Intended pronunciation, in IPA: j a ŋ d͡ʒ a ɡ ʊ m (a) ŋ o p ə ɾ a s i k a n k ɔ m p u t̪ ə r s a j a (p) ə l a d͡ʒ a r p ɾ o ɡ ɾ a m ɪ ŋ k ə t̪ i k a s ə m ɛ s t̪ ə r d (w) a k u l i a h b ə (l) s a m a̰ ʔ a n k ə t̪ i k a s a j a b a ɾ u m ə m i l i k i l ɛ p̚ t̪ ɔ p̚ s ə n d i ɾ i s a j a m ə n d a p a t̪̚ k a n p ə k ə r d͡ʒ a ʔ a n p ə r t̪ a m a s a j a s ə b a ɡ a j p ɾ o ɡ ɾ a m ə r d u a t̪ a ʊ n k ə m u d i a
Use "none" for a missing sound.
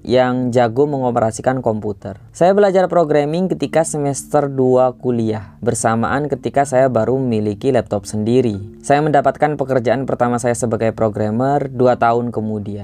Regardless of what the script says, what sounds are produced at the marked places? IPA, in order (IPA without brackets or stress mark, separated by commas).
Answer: ə, b, u, r